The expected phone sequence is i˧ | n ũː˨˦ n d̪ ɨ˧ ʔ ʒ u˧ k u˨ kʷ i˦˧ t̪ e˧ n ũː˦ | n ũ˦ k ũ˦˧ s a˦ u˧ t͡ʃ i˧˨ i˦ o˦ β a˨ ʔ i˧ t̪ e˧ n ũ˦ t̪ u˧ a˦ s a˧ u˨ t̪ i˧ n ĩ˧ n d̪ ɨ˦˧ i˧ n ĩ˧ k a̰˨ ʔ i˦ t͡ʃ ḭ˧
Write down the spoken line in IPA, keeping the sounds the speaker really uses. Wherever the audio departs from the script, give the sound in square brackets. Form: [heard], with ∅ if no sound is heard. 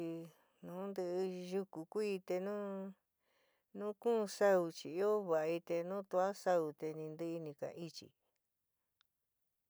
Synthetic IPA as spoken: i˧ | n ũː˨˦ n d̪ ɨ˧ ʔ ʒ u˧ k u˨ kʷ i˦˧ t̪ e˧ n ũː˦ | n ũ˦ k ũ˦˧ s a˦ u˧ t͡ʃ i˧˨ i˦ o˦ β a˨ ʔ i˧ t̪ e˧ n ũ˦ t̪ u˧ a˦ s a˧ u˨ t̪ [e˧] n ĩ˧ n d̪ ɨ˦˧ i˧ n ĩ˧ k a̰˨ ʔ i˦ t͡ʃ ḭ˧

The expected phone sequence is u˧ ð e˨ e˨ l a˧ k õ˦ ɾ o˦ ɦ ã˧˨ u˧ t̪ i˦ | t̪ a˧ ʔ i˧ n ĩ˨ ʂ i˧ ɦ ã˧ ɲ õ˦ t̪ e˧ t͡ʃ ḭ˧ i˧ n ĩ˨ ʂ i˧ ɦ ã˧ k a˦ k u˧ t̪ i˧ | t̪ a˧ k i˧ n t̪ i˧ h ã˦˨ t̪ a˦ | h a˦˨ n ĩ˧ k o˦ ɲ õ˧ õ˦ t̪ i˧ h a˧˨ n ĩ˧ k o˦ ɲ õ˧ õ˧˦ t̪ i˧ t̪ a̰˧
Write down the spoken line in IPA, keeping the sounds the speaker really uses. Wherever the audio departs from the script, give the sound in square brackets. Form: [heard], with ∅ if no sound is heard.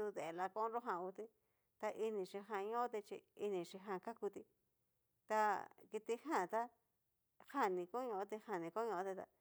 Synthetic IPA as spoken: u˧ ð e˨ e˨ l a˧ k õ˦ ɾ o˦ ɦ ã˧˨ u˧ t̪ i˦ | t̪ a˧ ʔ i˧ n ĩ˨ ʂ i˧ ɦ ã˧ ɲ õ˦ t̪ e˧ t͡ʃ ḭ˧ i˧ n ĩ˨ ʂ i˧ ɦ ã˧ k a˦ k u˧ t̪ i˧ | t̪ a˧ k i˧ [∅] t̪ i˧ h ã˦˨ t̪ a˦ | h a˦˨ n ĩ˧ k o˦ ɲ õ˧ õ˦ t̪ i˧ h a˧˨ n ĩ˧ k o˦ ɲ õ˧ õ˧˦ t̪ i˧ t̪ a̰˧

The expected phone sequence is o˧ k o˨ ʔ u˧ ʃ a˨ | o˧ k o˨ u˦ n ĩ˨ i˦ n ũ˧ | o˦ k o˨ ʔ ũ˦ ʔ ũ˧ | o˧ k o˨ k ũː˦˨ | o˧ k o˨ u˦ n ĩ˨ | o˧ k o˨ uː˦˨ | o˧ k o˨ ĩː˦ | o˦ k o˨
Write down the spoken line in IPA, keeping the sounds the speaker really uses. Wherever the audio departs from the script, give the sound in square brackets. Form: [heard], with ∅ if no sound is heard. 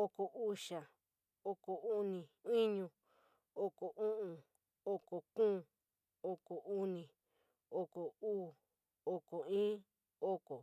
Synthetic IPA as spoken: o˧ k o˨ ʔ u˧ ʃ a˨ | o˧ k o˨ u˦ n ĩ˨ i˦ [ɲ] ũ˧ | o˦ k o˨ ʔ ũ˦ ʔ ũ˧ | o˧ k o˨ k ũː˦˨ | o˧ k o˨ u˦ n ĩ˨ | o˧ k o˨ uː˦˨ | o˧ k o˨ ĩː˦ | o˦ k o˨

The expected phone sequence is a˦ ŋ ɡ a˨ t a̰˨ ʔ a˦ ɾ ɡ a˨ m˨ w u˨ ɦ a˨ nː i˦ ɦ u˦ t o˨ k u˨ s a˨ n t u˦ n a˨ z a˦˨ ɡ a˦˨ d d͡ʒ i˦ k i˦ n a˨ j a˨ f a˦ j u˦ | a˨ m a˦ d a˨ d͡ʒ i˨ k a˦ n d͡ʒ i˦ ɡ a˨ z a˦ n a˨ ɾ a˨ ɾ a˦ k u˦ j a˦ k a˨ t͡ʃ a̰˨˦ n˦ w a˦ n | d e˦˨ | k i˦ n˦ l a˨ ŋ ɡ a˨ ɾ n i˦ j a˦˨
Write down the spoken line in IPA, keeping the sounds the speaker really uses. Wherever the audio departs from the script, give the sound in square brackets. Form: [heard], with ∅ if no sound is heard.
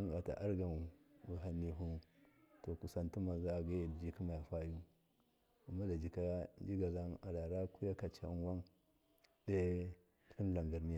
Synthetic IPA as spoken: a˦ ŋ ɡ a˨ t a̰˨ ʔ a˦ ɾ ɡ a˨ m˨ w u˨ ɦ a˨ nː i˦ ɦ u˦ t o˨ k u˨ s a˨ n t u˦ [m] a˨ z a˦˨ ɡ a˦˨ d d͡ʒ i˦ k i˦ [m] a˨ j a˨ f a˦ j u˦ | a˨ m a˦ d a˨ d͡ʒ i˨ k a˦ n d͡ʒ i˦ ɡ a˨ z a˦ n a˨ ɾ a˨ ɾ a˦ k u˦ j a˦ k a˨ t͡ʃ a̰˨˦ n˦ w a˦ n | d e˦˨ | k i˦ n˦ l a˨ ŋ ɡ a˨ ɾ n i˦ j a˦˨

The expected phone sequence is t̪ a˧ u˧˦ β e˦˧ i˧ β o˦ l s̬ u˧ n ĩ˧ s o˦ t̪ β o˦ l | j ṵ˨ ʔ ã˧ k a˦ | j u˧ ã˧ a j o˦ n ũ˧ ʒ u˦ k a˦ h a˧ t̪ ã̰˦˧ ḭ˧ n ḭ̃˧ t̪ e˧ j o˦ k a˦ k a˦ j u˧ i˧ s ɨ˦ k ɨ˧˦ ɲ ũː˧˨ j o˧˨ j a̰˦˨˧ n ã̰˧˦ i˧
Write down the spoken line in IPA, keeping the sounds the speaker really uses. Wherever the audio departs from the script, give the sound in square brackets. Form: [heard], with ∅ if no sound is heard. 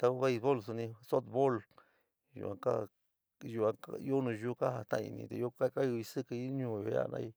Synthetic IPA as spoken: t̪ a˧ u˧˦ β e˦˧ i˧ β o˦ l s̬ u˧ n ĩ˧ s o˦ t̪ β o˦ l | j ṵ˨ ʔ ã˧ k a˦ | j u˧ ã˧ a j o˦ n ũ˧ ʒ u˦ k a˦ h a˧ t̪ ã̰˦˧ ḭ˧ n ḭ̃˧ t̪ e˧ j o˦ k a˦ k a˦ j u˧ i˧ s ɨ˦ k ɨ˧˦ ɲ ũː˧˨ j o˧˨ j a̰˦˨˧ n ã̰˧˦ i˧

